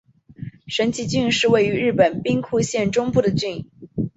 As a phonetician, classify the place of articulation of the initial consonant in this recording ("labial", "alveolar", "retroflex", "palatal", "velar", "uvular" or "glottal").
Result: retroflex